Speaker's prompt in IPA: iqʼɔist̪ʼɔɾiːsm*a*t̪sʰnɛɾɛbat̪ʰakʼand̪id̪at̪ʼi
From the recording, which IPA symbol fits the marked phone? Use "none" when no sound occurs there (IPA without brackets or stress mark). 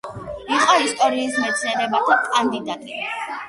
ɛ